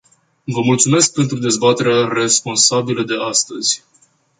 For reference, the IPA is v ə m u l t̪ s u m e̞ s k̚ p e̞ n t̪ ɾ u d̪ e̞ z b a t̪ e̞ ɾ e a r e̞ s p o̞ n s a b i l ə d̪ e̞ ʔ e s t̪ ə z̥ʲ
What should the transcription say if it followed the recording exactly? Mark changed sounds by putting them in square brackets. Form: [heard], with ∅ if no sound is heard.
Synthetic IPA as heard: v ə m u l t̪ s u m e̞ s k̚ p e̞ n t̪ ɾ u d̪ e̞ z b a t̪ e̞ ɾ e a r e̞ s p o̞ n s a b i l ə d̪ e̞ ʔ [a] s t̪ ə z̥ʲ